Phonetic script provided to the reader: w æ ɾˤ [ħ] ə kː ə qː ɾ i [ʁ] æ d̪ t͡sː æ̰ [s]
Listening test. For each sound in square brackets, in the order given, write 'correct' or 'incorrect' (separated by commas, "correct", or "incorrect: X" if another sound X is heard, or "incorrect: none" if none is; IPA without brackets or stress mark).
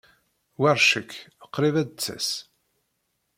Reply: incorrect: ʃ, incorrect: v, correct